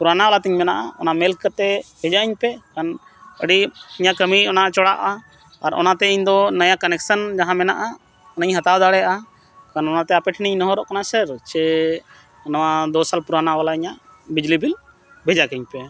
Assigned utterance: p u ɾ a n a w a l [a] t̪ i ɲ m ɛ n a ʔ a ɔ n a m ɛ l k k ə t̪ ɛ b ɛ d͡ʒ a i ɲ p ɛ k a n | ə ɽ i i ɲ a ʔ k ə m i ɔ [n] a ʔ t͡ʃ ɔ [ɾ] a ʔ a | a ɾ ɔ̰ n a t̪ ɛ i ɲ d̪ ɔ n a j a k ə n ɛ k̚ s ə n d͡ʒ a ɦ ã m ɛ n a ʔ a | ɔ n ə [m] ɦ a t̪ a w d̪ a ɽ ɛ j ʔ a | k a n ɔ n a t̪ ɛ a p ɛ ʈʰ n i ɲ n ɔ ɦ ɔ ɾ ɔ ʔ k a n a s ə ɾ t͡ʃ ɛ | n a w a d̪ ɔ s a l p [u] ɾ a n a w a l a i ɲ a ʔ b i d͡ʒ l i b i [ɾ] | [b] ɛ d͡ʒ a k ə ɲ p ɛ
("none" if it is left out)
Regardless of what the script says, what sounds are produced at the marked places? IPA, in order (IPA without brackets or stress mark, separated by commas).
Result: a, n, ɽ, ɲ, u, l, b